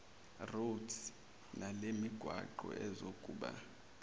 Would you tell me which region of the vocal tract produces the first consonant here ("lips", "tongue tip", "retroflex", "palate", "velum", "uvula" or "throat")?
tongue tip